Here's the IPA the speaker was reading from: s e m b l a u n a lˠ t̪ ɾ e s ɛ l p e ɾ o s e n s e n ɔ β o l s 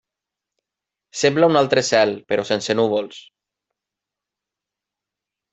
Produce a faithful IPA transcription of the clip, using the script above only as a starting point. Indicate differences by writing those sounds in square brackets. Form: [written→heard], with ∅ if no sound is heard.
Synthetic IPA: s e m b l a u n a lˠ t̪ ɾ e s ɛ l p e ɾ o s e n s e n [ɔ→u] β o l s